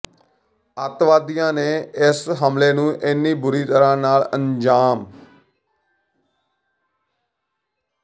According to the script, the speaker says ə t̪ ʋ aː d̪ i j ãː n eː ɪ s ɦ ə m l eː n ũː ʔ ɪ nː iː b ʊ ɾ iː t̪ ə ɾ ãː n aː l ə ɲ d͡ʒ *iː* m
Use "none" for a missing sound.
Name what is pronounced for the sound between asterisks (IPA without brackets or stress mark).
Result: aː